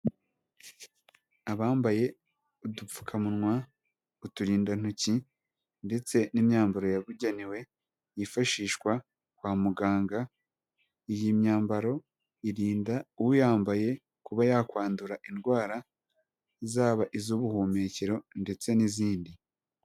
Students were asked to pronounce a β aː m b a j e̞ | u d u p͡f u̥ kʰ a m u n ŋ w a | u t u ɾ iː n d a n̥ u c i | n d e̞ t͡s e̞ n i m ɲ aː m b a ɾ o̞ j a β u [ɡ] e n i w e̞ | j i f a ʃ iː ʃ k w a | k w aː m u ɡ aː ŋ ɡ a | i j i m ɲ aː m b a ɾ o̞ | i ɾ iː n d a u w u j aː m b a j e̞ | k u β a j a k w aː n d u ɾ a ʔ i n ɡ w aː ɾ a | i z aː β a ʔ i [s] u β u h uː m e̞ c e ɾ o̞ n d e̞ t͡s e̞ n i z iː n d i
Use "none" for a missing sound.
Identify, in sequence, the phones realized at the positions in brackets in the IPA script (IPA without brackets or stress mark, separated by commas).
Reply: ɟ, z